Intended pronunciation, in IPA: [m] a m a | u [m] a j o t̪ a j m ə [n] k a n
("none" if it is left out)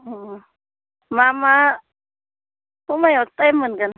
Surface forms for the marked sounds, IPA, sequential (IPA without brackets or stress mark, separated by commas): m, m, n